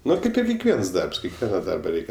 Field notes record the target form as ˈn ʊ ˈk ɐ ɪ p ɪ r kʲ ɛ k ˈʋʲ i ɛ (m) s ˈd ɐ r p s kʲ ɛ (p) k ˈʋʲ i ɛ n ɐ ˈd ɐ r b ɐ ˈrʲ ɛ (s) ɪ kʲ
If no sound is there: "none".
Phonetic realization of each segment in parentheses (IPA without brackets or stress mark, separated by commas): n, none, none